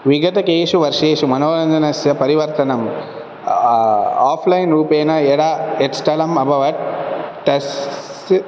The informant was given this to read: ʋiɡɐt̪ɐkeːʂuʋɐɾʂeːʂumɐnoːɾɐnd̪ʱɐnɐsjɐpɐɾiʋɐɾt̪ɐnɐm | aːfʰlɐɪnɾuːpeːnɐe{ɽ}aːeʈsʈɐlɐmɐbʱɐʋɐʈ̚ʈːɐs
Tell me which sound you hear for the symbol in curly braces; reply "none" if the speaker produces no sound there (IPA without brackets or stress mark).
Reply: ɽ